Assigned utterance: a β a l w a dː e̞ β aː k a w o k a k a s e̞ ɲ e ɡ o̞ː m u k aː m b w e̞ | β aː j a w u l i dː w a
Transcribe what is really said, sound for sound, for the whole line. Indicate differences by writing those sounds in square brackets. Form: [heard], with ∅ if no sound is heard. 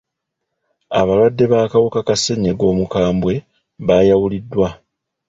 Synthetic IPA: a β a l w a dː e̞ β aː k a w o k a k a s e̞ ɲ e ɡ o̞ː m u k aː m b w e̞ | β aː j a w u l i dː w a